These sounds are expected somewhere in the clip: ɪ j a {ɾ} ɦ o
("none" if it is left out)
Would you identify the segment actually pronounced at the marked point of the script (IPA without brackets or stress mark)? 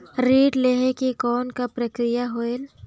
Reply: none